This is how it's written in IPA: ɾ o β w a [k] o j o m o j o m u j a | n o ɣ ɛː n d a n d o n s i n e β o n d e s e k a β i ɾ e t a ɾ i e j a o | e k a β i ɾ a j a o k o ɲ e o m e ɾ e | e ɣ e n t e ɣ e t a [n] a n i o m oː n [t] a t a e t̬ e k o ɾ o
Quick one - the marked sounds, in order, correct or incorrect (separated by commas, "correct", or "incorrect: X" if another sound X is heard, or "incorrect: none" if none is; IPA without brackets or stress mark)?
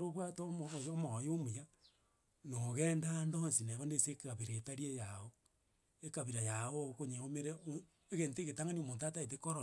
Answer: incorrect: t, incorrect: ŋ, correct